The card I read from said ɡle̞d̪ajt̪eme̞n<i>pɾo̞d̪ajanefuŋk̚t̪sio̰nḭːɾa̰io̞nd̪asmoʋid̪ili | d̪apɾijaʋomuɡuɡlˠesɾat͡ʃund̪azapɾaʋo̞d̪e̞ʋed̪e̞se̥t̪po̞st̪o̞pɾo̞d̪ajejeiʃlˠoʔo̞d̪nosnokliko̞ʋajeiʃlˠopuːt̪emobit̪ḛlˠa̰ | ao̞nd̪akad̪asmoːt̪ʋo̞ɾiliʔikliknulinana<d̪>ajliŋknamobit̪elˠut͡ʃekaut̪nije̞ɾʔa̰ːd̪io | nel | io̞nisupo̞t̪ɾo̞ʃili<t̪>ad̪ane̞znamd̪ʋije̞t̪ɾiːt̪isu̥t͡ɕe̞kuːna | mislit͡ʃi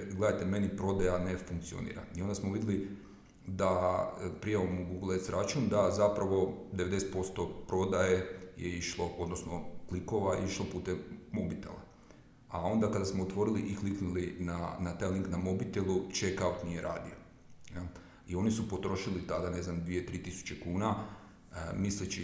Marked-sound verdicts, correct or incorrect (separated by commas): correct, incorrect, correct